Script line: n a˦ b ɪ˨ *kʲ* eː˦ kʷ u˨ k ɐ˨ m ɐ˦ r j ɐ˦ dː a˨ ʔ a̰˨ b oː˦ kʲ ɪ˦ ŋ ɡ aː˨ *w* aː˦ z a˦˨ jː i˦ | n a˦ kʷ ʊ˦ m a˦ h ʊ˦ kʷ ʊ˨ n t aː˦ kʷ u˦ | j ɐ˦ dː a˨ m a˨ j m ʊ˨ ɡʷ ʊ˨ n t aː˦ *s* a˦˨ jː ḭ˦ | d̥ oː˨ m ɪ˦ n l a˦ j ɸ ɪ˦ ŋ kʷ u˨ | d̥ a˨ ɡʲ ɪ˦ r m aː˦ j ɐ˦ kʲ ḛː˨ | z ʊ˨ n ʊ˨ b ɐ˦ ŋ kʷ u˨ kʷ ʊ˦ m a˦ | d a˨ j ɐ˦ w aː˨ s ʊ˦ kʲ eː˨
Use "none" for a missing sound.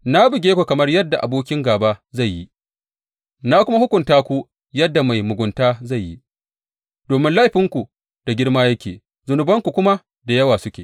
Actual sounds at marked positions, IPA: ɡʲ, b, z

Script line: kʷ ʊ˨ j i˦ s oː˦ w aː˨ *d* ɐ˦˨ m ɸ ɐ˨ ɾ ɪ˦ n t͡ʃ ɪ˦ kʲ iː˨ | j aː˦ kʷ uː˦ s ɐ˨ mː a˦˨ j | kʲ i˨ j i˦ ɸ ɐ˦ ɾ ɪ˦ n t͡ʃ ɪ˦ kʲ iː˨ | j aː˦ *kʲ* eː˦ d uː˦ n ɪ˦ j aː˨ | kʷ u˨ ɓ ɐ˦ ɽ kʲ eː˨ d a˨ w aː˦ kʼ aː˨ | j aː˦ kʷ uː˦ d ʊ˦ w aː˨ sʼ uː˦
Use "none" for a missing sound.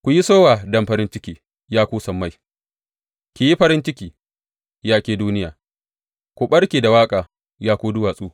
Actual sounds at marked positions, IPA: d, kʲ

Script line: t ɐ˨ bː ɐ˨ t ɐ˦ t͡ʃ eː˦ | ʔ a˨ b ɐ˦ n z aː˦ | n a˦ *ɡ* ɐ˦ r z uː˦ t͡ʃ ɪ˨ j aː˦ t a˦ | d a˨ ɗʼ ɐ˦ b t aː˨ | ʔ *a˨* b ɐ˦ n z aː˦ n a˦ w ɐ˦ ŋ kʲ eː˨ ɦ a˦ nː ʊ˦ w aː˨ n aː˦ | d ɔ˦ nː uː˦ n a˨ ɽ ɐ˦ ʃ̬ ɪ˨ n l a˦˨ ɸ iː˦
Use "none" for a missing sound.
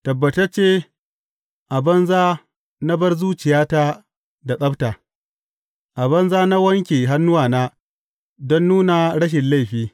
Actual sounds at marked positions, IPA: b, a˨

